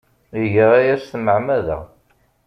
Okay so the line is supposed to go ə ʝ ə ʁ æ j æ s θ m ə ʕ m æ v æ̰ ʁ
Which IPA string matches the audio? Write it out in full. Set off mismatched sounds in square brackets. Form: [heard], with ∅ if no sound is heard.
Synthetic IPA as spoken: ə ʝ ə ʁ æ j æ s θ m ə ʕ m æ [ð] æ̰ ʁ